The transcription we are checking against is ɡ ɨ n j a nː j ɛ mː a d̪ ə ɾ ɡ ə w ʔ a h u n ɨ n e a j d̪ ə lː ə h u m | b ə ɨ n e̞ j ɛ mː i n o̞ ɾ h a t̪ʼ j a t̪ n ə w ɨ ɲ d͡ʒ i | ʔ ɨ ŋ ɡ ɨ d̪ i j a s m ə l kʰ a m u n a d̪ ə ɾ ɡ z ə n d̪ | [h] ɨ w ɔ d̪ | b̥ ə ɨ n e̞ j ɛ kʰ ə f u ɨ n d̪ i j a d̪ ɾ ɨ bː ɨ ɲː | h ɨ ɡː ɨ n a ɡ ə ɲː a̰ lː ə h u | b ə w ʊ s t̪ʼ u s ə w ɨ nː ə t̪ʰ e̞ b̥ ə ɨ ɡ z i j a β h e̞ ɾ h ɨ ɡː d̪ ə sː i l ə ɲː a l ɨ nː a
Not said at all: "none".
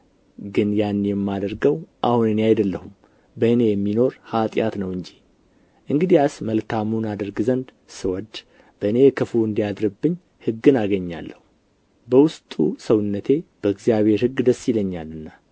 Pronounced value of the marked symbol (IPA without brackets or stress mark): s